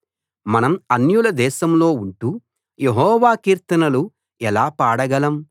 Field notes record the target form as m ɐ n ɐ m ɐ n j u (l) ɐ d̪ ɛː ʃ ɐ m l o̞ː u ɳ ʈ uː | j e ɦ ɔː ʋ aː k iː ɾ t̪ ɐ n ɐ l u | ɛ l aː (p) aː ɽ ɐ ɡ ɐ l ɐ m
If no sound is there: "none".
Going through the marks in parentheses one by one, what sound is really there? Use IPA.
l, p

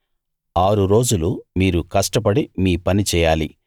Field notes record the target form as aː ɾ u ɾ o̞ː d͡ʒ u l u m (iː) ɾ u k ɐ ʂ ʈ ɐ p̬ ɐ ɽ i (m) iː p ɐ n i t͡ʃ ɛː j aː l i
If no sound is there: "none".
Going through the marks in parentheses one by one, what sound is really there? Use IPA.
iː, m

